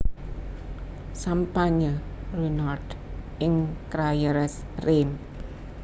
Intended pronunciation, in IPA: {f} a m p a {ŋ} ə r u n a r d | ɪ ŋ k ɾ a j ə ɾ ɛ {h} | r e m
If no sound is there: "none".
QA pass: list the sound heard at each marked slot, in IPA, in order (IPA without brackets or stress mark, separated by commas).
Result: s, ɲ, s